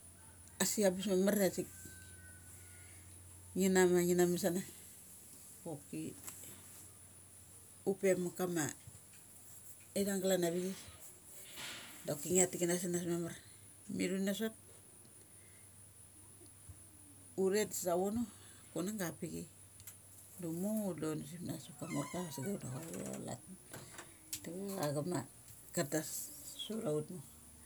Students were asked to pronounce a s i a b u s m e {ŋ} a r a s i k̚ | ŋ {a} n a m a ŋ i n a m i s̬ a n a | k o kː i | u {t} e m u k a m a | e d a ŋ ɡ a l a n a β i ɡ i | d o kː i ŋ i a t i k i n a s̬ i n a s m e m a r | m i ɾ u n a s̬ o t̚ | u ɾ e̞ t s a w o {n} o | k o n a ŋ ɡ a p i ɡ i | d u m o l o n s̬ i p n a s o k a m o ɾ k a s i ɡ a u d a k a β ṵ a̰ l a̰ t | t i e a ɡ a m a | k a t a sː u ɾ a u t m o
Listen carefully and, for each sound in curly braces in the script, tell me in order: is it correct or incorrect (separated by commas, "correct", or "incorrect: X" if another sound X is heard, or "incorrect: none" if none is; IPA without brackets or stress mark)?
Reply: incorrect: m, incorrect: i, incorrect: p, correct